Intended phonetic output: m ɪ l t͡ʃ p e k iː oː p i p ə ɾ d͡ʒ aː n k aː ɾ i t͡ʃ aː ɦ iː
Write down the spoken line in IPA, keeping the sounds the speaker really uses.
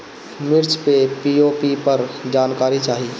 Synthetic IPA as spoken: m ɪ ɾ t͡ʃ p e p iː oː p i p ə ɾ d͡ʒ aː n k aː ɾ i t͡ʃ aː ɦ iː